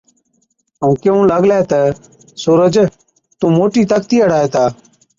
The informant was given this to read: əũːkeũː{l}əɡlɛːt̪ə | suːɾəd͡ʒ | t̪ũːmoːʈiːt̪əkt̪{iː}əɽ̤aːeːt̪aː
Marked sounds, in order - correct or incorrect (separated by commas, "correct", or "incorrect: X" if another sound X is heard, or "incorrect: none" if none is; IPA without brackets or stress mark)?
correct, correct